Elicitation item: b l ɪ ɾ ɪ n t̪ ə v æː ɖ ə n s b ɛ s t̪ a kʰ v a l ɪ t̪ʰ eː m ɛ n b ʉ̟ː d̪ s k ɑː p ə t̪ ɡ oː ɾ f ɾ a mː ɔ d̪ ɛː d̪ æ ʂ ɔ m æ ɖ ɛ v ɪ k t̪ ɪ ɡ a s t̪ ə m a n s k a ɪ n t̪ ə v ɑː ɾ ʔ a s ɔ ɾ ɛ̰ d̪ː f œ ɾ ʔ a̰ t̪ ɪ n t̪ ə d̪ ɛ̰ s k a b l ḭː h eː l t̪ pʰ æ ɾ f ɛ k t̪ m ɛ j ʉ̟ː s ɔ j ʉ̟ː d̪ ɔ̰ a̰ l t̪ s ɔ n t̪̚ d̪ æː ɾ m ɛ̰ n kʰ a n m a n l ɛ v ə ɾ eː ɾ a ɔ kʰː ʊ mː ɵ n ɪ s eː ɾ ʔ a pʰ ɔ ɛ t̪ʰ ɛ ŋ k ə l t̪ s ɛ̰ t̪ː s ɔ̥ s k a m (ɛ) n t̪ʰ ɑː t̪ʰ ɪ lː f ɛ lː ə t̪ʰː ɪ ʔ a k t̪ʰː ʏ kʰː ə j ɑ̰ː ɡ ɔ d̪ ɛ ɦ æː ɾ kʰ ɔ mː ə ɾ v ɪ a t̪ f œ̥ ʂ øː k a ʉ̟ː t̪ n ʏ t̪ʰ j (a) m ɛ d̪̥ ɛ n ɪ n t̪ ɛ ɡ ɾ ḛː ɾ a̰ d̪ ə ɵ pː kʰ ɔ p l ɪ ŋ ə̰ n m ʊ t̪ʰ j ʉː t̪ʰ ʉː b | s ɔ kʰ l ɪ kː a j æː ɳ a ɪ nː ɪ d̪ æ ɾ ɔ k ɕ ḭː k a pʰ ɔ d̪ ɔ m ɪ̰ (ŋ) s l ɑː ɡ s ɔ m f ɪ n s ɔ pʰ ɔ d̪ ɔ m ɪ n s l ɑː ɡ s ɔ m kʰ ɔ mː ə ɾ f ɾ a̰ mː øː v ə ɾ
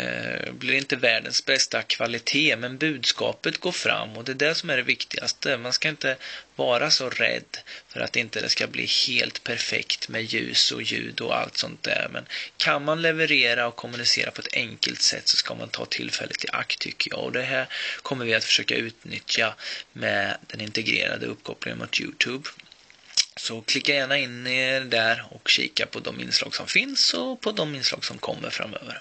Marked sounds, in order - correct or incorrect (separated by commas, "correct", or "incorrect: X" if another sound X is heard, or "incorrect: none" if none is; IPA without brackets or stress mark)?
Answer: incorrect: a, correct, incorrect: n